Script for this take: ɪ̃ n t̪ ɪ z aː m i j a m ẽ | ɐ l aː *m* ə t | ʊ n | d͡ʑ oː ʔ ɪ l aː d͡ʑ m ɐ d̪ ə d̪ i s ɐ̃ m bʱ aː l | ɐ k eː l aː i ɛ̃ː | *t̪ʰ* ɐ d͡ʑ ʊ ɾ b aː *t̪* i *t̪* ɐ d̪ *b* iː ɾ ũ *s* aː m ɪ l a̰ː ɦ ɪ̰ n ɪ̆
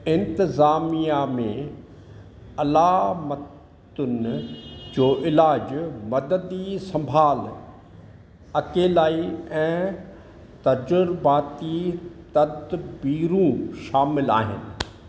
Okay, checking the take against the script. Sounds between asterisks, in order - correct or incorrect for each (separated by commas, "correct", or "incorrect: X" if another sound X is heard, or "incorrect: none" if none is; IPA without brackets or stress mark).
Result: correct, incorrect: t̪, correct, correct, correct, incorrect: ʃ